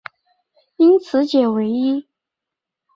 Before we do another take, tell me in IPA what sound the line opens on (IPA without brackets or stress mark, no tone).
i